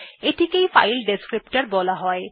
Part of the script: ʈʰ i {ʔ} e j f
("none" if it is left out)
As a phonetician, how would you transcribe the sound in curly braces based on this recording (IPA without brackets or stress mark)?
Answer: k